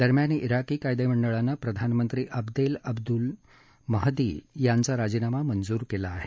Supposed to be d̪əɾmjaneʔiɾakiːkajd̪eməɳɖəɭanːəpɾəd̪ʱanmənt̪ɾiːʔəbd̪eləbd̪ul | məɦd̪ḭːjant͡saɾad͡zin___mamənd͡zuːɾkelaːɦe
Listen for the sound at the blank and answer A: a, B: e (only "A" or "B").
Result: A